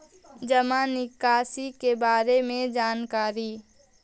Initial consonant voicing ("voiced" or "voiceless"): voiced